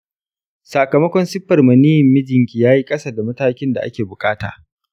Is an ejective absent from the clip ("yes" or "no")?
no